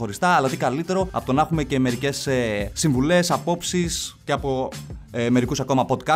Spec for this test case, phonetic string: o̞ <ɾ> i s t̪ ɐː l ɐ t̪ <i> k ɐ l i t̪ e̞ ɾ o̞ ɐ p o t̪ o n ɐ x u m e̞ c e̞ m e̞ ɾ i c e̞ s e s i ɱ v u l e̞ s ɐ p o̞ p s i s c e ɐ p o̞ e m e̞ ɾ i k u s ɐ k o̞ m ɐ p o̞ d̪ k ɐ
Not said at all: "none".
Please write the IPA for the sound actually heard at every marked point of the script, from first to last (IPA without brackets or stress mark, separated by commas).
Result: ɾ, i